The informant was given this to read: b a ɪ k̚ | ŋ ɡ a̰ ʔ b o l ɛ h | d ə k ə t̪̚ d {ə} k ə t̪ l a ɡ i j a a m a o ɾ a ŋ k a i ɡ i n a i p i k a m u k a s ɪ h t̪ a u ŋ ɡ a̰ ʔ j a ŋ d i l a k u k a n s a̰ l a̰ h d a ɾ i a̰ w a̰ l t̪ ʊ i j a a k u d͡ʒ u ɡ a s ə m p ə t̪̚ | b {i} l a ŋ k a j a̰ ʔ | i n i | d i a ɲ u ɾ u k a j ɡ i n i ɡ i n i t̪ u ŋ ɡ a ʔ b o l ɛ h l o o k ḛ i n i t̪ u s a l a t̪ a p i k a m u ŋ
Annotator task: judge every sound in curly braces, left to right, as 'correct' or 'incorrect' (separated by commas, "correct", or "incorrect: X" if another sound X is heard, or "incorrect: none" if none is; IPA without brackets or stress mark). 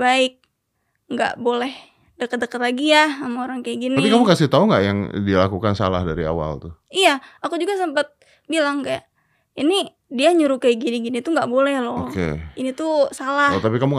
correct, correct